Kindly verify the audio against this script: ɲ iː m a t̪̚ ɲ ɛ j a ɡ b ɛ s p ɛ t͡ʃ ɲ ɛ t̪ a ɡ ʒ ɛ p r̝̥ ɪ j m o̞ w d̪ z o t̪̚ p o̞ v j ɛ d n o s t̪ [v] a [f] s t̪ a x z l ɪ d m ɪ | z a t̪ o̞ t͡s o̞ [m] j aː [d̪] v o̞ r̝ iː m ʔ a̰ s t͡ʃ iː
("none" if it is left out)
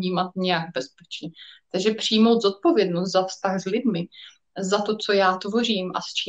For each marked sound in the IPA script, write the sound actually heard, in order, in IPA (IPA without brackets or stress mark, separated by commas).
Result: z, f, none, t̪